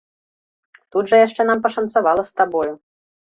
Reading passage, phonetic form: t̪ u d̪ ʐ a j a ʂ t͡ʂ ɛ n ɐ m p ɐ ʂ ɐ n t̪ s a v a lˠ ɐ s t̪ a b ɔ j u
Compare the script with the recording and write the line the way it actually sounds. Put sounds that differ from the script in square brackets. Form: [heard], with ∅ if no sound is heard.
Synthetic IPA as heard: t̪ u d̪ ʐ [ɐ] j a ʂ t͡ʂ ɛ n [a] m p ɐ ʂ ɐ n t̪ s a v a lˠ ɐ s t̪ a b ɔ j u